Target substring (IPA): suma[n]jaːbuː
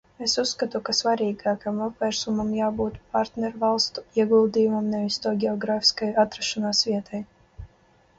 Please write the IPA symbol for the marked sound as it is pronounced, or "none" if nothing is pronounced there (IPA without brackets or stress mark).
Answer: m